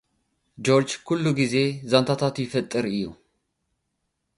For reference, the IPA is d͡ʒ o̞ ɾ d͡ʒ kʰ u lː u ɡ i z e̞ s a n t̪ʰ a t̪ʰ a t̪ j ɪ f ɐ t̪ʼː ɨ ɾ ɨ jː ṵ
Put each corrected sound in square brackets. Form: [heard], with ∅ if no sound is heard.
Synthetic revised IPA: d͡ʒ o̞ ɾ d͡ʒ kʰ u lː u ɡ i z e̞ [z] a n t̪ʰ a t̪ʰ a t̪ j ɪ f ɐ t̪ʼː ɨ ɾ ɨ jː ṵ